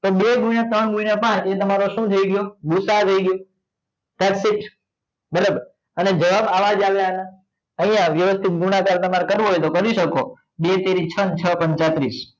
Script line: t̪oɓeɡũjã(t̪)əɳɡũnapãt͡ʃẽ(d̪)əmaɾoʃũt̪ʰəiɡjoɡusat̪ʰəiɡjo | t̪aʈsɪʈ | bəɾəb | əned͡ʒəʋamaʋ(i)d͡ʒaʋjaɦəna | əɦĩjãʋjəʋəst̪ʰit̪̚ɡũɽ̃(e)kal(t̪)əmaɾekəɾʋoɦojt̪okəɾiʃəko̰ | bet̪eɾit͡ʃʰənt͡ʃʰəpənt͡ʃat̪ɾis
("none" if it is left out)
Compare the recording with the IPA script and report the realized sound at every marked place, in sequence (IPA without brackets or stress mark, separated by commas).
t̪, t̪, a, a, t̪